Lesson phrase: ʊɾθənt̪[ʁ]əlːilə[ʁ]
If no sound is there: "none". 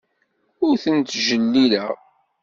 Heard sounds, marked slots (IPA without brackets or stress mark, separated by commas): ʒ, ʁ